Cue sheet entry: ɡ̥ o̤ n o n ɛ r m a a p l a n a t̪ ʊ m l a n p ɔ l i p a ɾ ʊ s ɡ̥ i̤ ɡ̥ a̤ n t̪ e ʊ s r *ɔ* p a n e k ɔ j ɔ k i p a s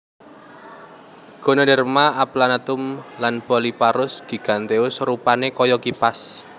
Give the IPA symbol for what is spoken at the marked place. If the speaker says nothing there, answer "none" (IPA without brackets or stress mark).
u